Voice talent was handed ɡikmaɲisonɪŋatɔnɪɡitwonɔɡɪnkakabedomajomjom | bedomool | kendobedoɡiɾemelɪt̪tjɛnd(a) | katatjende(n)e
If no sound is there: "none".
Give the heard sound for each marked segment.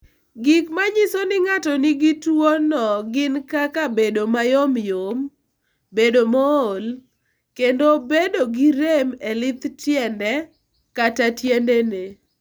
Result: ɛ, n

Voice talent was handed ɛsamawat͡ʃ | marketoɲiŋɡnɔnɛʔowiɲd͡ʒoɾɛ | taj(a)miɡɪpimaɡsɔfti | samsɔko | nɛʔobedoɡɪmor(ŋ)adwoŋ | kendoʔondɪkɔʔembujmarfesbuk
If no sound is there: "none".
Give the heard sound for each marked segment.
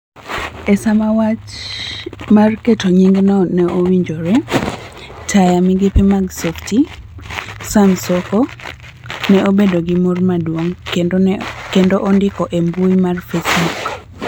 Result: a, m

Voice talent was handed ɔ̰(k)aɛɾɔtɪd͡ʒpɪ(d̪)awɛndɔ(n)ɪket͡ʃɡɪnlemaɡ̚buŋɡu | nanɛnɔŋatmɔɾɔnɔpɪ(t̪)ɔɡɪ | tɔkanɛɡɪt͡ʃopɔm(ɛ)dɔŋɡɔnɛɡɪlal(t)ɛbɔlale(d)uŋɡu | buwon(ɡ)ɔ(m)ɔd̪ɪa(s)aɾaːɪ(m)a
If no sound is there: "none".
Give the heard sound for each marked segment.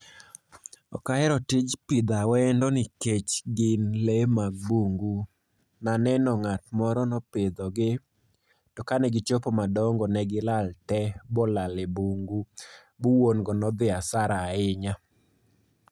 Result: k, d̪, n, d̪, a, t, b, ɡ, n, s, ɲ

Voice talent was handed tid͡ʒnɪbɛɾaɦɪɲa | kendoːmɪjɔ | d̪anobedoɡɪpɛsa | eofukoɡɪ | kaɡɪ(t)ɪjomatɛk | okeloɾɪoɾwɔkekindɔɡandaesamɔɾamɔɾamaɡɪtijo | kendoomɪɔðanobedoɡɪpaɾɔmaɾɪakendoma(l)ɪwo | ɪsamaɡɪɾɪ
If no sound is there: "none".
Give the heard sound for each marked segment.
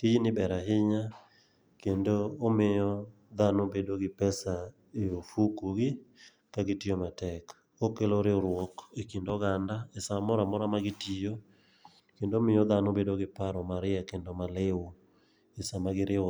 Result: t, l

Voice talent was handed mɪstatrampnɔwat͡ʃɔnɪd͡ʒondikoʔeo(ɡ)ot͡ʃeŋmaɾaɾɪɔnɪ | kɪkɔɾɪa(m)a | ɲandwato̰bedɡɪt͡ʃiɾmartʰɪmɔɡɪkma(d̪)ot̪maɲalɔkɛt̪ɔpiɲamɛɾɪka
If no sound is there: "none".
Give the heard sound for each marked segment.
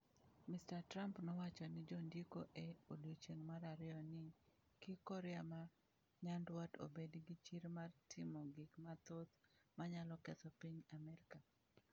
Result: d, m, t̪

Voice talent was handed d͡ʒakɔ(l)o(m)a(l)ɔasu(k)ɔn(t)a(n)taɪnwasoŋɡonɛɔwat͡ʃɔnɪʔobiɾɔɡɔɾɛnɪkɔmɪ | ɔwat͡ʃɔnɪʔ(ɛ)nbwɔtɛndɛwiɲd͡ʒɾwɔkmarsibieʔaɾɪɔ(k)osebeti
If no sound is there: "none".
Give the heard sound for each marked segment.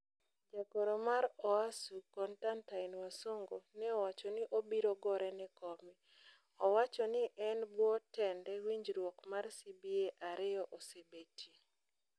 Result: ɾ, m, ɾ, k, t, n, ɛ, ʔ

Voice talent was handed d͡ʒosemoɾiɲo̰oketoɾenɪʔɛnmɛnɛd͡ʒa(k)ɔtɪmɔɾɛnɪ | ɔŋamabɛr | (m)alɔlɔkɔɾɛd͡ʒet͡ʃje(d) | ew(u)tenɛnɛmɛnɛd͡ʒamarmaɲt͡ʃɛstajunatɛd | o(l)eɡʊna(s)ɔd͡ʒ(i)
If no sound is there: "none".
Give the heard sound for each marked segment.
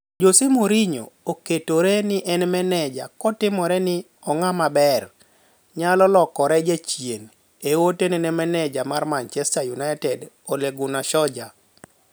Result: k, ɲ, n, o, l, ʃ, a

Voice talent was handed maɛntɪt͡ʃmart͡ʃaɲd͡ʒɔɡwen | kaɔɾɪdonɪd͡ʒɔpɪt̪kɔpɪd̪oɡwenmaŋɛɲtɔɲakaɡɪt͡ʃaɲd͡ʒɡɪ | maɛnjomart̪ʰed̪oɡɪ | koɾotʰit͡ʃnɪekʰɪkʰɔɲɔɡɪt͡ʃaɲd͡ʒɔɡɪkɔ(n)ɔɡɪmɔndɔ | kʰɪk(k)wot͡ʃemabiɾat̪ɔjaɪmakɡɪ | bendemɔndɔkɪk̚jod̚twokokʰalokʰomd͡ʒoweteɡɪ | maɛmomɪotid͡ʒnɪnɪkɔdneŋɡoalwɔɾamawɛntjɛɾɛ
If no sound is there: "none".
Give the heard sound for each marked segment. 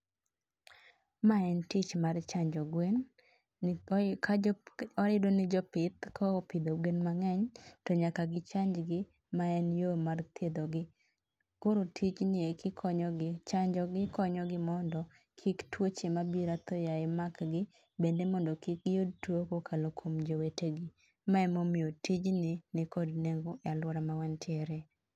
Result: ɲ, t

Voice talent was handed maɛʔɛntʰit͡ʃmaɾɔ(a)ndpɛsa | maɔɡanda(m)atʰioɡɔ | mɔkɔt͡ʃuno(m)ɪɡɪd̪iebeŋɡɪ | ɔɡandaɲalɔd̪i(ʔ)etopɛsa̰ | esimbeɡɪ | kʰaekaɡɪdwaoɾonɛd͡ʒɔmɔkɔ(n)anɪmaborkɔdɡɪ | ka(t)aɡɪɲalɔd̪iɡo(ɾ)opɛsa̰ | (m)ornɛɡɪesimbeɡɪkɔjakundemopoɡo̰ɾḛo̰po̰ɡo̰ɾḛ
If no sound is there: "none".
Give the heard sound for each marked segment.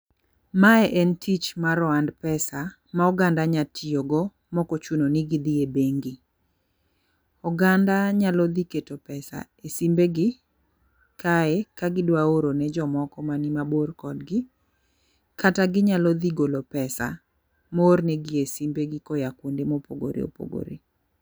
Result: a, ɲ, n, k, m, t, l, m

